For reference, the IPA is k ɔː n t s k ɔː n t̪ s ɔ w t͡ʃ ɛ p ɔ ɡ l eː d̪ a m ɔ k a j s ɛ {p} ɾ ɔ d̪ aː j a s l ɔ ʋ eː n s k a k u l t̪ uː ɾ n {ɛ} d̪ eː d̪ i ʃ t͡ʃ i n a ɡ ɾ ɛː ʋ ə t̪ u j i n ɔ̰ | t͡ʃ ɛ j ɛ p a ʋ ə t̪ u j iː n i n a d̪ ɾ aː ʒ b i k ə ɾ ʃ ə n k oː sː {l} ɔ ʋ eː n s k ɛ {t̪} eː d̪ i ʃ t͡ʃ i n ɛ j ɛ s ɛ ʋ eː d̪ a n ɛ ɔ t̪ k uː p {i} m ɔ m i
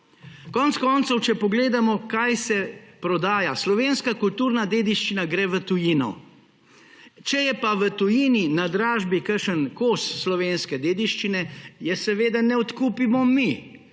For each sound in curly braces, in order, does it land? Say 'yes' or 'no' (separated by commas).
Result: yes, no, yes, no, yes